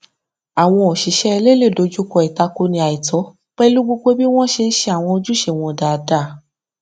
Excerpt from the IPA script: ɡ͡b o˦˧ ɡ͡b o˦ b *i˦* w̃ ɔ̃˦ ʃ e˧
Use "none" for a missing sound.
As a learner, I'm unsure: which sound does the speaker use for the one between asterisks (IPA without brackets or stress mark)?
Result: i˦